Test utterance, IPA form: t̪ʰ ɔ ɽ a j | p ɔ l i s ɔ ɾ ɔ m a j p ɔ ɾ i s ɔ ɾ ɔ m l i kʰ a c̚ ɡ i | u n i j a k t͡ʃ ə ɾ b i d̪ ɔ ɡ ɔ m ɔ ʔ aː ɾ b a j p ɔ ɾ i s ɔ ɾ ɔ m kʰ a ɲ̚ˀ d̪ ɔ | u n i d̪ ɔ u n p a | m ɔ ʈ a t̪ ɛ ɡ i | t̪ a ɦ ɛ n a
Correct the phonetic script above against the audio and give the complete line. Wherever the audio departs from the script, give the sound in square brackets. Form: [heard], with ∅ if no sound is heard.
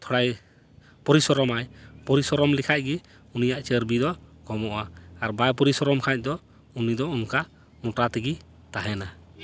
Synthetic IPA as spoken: t̪ʰ ɔ ɽ a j | p ɔ [ɾ] i s ɔ ɾ ɔ m a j p ɔ ɾ i s ɔ ɾ ɔ m l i kʰ a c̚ ɡ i | u n i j a [ʔ] t͡ʃ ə ɾ b i d̪ ɔ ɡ ɔ m ɔ ʔ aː ɾ b a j p ɔ ɾ i s ɔ ɾ ɔ m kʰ a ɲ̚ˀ d̪ ɔ | u n i d̪ ɔ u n [k] a | m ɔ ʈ a t̪ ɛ ɡ i | t̪ a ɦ ɛ n a

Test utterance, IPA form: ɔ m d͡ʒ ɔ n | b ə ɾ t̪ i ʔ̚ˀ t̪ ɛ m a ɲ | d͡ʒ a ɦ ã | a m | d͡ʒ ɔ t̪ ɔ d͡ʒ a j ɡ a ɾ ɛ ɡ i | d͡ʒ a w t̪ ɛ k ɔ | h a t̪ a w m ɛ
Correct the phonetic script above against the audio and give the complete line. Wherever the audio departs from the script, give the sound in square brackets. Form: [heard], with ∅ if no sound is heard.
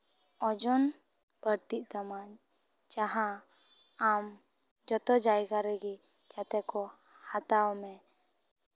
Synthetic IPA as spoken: ɔ [∅] d͡ʒ ɔ n | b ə ɾ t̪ i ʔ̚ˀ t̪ [a] m a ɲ | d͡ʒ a ɦ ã | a m | d͡ʒ ɔ t̪ ɔ d͡ʒ a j ɡ a ɾ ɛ ɡ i | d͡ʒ a [∅] t̪ ɛ k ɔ | h a t̪ a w m ɛ

